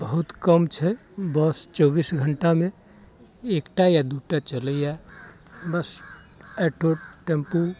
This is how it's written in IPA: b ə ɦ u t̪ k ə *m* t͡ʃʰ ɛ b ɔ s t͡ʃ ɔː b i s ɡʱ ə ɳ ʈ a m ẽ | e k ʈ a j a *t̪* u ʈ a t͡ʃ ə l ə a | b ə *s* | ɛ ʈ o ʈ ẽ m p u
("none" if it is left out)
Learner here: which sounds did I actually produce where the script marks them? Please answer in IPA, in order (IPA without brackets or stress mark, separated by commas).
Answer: m, d̪, s